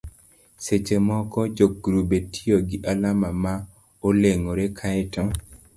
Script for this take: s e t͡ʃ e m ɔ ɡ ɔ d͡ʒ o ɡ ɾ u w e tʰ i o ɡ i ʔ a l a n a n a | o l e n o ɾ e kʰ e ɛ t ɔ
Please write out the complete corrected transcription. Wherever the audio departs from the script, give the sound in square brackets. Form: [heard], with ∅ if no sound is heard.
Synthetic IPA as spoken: s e t͡ʃ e m ɔ [k] ɔ d͡ʒ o ɡ ɾ u [b] e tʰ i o ɡ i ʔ a l a [m] a [m] a | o l e [ŋ] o ɾ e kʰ [a] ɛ t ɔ